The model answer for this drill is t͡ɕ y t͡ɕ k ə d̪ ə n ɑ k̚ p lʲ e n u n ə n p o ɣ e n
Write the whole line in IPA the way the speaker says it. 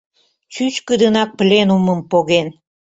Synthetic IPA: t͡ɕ y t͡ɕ k ə d̪ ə n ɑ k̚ p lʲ e n u m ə m p o ɣ e n